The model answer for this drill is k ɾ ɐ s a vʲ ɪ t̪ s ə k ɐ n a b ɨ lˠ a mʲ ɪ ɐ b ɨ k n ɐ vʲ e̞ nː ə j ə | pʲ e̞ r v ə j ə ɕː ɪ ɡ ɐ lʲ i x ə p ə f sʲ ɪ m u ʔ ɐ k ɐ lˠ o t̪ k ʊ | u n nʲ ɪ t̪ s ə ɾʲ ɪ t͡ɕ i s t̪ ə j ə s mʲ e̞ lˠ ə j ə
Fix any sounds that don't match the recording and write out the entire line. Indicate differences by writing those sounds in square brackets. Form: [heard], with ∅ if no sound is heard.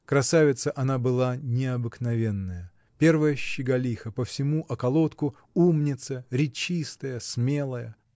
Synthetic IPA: k ɾ ɐ s a vʲ ɪ t̪ s ə [ʔ] ɐ n a b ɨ lˠ a [nʲ] ɪ ɐ b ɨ k n ɐ vʲ e̞ nː ə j ə | pʲ e̞ r v ə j ə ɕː ɪ ɡ ɐ lʲ i x ə p ə f sʲ ɪ m u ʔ ɐ k ɐ lˠ o t̪ k ʊ | u [m] nʲ ɪ t̪ s ə ɾʲ ɪ t͡ɕ i s t̪ ə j ə s mʲ e̞ lˠ ə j ə